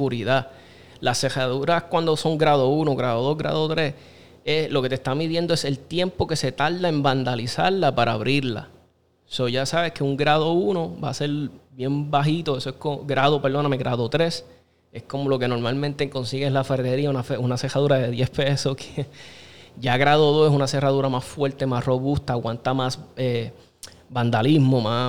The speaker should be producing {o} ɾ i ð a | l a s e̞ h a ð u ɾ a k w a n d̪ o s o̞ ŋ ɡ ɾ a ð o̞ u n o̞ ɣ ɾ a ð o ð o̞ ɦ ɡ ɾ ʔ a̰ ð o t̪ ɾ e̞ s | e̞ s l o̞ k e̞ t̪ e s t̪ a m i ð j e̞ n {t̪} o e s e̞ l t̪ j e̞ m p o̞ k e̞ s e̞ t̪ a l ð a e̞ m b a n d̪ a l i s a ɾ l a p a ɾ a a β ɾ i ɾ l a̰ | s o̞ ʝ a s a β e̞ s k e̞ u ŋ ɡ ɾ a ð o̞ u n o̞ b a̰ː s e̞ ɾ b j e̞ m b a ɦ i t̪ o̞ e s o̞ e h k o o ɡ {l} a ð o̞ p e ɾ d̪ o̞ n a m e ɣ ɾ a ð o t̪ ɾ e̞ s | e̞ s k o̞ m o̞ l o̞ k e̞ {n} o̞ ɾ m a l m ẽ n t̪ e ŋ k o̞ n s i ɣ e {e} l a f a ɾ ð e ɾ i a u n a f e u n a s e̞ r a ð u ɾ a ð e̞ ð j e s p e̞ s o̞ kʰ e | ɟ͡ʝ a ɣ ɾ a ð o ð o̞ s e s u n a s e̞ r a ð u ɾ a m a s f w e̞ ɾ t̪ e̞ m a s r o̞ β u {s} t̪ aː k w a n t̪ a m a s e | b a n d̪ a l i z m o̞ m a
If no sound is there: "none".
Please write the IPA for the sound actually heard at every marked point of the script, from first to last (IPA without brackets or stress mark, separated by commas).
u, d̪, ɾ, n, e, s